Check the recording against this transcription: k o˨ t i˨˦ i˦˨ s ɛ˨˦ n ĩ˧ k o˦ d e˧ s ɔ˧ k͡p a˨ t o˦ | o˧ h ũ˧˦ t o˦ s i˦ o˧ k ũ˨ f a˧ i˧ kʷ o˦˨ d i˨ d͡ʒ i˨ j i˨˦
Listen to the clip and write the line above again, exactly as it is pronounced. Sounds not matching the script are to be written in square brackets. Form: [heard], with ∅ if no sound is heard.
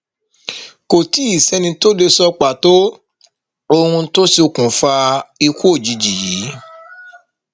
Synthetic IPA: k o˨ t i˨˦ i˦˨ s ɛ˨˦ n ĩ˧ [t] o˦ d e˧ s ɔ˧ k͡p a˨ t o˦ | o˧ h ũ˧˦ t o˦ s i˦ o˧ k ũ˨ f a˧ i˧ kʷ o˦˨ [d͡ʒ] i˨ d͡ʒ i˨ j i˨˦